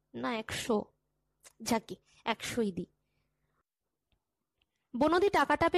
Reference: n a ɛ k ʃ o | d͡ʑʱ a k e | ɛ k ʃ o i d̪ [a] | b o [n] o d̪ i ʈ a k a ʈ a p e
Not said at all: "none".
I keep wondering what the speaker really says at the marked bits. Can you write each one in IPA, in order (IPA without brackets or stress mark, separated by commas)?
i, n